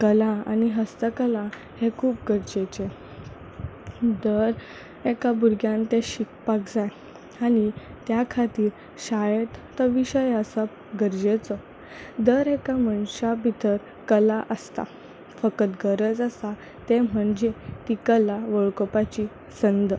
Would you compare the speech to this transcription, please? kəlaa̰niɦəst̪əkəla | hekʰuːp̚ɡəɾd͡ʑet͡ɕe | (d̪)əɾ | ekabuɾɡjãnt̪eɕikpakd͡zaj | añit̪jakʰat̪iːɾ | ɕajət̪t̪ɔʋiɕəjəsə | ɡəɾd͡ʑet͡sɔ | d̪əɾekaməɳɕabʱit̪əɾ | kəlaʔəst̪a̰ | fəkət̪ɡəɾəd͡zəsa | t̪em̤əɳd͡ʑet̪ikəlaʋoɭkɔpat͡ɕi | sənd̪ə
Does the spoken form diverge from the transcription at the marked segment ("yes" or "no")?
no